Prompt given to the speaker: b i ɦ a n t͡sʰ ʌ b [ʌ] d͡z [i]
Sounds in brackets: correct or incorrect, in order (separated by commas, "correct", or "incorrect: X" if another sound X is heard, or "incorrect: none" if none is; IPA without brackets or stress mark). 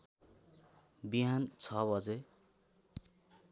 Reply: correct, incorrect: e